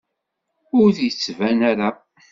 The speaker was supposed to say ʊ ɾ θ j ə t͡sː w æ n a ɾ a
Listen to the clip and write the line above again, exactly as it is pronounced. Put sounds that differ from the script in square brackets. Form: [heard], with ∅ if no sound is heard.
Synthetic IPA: ʊ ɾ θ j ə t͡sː [v] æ n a ɾ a